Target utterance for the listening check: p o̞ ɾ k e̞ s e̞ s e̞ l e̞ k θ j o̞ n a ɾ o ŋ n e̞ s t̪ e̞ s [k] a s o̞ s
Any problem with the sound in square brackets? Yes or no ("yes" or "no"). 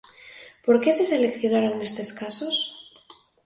no